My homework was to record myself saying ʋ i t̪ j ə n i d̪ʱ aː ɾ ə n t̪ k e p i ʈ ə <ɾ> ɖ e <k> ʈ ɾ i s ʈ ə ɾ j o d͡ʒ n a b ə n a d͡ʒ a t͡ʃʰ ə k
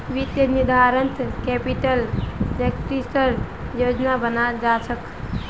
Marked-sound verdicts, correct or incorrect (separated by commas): incorrect, correct